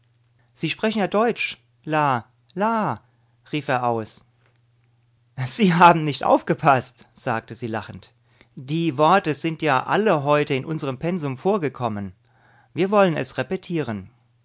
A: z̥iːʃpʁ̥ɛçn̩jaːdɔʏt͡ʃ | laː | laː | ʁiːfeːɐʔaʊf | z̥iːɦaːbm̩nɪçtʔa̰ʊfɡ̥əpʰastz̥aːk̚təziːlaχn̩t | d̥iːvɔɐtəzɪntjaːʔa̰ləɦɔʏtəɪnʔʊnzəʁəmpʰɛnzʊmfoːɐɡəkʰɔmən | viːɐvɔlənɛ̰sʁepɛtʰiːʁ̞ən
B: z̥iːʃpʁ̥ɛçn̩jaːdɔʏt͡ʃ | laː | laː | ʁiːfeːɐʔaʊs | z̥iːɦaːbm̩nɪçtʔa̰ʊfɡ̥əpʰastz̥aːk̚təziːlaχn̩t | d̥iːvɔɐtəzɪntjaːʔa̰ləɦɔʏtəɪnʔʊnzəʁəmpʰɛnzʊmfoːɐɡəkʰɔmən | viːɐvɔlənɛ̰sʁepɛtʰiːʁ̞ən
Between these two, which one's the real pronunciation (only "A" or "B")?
B